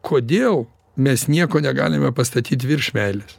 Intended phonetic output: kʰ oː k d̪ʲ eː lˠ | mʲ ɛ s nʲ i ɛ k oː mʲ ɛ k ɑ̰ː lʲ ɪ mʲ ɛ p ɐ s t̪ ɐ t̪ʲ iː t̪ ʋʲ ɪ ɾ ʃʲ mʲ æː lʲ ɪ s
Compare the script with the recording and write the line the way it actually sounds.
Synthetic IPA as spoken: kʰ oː d̪ʲ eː lˠ | mʲ ɛ s nʲ i ɛ k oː nʲ ɛ ɡ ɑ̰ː lʲ ɪ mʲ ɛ p ɐ s t̪ ɐ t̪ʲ iː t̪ ʋʲ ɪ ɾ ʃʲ mʲ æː lʲ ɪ s